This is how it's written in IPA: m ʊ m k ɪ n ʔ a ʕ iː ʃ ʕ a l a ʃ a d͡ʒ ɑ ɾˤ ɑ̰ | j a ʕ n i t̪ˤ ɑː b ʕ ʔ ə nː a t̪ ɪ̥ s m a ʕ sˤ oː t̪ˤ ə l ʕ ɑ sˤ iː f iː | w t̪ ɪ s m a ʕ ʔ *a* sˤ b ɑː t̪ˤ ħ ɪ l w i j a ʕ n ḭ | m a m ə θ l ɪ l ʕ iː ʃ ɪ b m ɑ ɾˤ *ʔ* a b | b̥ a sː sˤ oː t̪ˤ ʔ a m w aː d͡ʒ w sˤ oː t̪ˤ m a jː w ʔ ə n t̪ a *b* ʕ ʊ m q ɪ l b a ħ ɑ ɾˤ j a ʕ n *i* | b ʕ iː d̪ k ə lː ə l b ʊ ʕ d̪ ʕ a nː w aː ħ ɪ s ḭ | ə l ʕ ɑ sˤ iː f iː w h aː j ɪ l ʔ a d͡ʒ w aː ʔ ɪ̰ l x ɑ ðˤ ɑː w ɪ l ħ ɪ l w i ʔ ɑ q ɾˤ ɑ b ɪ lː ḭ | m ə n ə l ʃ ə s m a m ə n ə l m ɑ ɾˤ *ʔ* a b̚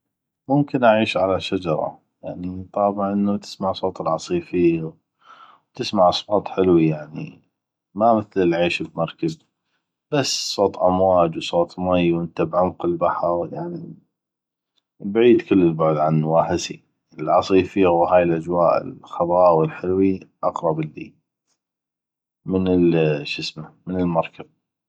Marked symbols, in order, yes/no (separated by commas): no, no, yes, yes, no